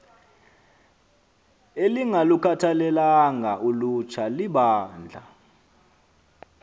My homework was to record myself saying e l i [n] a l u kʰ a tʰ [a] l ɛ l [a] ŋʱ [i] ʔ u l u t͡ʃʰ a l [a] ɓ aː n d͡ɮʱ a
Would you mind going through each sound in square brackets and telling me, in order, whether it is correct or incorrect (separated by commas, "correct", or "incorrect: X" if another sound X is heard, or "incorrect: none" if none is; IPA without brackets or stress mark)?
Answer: incorrect: ŋ, correct, correct, incorrect: a, incorrect: i